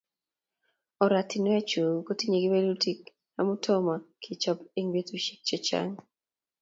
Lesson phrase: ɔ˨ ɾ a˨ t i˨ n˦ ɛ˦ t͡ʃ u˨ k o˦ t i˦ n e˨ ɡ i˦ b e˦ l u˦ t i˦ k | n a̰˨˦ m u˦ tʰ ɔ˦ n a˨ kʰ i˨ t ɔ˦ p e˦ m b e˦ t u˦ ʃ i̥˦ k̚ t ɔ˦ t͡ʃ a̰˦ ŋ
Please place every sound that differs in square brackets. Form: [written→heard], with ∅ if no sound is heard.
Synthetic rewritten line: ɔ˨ ɾ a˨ t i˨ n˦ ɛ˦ t͡ʃ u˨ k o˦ t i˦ [n→ɲ] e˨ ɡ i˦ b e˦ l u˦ t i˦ k | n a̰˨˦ m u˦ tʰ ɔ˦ [n→m] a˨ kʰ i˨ [t→t͡ʃ] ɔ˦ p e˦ [m→ŋ] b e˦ t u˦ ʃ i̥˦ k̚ [t→t͡ʃ] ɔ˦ t͡ʃ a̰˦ ŋ